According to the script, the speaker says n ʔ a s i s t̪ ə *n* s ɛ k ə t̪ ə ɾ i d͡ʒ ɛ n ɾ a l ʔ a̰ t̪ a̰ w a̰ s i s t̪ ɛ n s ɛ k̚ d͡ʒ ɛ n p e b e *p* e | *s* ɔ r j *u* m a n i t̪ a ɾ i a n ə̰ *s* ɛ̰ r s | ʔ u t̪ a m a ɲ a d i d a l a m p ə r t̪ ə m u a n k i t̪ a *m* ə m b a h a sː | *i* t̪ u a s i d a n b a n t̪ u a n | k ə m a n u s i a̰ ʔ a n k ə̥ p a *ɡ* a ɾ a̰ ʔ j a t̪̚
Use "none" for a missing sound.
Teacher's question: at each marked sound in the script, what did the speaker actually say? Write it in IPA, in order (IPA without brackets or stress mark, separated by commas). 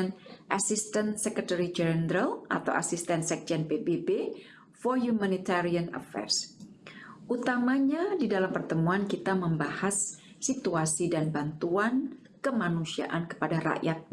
n, b, f, u, f, m, i, d